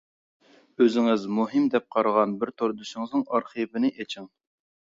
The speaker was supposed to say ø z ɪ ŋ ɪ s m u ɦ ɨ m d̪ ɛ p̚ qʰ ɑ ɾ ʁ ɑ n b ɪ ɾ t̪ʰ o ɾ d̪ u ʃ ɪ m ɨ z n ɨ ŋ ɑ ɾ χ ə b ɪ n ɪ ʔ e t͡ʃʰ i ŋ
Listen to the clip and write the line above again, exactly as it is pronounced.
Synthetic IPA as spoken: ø z ɪ ŋ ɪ z m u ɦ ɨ m d̪ ɛ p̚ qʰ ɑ ɾ ʁ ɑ n b ɪ ɾ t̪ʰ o ɾ d̪ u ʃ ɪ ŋ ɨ z n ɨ ŋ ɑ ɾ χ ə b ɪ n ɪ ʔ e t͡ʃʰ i ŋ